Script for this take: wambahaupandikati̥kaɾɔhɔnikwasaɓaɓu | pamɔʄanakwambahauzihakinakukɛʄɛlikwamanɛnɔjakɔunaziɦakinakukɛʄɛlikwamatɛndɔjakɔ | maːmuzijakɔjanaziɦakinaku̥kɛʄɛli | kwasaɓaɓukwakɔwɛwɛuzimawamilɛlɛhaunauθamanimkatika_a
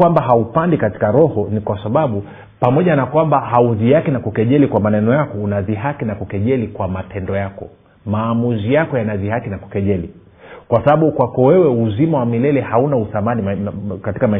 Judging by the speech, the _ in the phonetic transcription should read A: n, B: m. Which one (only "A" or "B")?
B